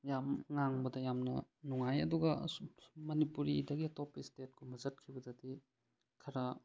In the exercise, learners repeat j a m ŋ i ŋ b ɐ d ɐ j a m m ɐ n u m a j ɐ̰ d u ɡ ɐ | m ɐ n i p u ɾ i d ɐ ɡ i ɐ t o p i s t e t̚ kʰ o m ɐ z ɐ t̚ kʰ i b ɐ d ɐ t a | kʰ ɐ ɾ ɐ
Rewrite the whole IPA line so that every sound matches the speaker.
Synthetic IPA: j a m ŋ a ŋ b ɐ d ɐ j a m n ɐ n u ŋ a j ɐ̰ d u ɡ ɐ | m ɐ n i p u ɾ i d ɐ ɡ i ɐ t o p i s t e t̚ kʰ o m ɐ z ɐ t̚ kʰ i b ɐ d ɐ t i | kʰ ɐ ɾ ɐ